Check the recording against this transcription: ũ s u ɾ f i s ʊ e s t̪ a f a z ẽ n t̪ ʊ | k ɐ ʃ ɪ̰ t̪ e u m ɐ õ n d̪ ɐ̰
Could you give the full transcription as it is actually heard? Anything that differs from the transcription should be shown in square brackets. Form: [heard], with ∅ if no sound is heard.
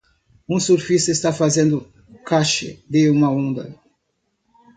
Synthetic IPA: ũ s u ɾ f i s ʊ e s t̪ a f a z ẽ n [d̪] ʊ | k [a] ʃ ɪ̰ [d̪] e u m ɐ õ n d̪ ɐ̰